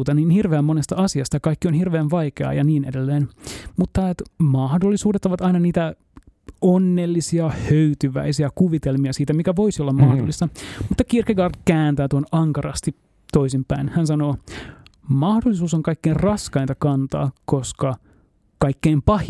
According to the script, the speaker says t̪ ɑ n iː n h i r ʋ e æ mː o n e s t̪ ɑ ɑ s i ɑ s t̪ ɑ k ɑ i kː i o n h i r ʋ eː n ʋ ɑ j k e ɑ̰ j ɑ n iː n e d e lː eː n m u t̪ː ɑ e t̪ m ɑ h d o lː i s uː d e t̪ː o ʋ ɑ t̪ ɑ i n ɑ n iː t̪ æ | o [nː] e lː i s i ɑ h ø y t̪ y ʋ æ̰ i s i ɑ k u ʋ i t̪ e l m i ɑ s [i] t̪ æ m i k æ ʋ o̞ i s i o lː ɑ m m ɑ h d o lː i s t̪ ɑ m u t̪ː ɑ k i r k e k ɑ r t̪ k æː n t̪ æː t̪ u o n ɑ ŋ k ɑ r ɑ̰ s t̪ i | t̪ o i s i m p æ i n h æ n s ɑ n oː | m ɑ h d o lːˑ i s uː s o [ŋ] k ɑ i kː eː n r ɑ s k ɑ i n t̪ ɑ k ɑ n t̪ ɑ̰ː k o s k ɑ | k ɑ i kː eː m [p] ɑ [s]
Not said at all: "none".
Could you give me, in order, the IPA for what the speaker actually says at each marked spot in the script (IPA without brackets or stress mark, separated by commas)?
nː, iː, ŋ, p, h